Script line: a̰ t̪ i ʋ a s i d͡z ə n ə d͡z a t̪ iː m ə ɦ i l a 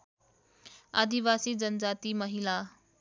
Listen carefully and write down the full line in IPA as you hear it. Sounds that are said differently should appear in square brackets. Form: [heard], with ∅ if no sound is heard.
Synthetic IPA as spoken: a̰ [d̪] i ʋ a s [iː] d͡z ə n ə d͡z a t̪ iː m ə ɦ i l a